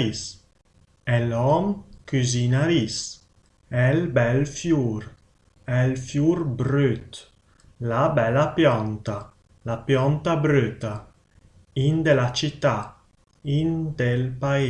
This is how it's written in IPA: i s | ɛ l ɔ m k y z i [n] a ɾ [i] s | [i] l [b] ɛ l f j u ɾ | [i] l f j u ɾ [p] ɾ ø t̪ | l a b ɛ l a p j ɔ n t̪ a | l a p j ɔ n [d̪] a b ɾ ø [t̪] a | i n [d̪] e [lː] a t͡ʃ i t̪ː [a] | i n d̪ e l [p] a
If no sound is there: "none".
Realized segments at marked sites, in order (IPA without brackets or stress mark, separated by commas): n, i, ɛ, b, ɛ, b, t̪, t̪, d̪, l, a, p